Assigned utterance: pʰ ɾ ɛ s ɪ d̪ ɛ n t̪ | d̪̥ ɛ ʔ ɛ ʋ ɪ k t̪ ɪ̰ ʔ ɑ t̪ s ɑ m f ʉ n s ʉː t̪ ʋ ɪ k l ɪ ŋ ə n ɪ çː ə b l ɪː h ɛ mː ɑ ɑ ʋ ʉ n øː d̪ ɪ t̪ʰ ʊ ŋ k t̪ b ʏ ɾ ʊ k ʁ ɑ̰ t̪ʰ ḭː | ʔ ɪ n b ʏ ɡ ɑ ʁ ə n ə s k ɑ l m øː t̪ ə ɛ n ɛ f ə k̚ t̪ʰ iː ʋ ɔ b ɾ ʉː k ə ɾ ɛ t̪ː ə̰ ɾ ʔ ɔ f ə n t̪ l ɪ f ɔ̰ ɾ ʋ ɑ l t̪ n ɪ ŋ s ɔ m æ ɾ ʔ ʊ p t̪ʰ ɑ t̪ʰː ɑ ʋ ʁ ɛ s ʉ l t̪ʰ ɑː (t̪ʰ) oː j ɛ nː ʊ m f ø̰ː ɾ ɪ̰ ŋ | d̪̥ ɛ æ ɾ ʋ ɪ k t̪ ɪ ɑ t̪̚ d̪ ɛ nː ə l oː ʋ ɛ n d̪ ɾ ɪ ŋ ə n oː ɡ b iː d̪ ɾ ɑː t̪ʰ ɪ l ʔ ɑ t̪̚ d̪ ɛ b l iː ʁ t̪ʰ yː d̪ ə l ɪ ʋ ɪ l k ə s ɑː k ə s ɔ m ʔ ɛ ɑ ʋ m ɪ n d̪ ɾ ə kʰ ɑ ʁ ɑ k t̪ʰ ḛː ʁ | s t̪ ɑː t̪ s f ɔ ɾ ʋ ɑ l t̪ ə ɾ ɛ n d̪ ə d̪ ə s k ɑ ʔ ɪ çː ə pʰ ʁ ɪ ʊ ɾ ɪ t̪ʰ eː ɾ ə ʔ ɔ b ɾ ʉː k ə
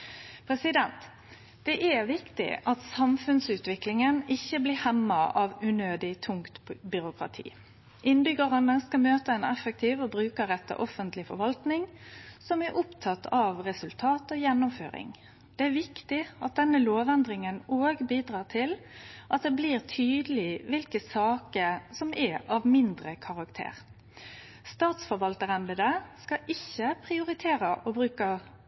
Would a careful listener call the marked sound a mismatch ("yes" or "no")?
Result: yes